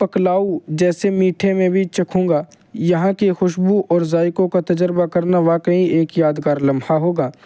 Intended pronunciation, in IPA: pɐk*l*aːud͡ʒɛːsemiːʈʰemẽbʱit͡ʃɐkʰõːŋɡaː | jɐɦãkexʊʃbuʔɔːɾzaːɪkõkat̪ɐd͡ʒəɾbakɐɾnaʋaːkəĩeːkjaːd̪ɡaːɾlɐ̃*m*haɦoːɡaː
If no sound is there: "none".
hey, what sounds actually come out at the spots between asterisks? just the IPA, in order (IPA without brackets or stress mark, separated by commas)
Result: l, m